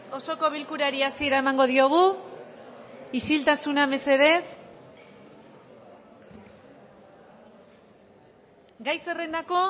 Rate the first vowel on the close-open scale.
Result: mid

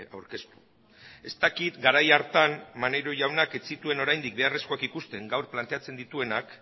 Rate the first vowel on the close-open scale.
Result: open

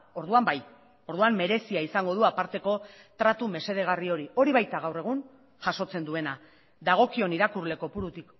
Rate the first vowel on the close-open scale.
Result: mid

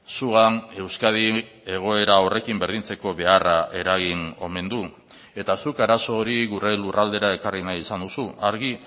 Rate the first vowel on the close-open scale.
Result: close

